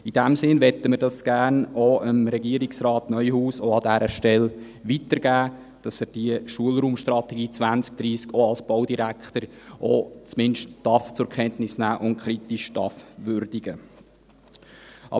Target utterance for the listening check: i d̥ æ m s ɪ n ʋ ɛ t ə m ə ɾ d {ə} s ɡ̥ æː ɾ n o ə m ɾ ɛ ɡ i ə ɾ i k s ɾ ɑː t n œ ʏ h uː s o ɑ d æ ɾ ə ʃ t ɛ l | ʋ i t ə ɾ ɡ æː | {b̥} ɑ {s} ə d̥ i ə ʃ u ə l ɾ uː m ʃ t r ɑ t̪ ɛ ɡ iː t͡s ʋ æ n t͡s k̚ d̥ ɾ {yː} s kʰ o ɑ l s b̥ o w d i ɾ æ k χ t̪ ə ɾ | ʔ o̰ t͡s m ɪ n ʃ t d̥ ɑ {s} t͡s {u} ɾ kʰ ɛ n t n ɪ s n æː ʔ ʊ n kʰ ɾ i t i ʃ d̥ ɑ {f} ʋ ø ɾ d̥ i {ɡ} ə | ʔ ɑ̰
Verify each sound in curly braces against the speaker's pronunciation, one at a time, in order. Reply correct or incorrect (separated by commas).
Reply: incorrect, incorrect, correct, incorrect, incorrect, incorrect, correct, correct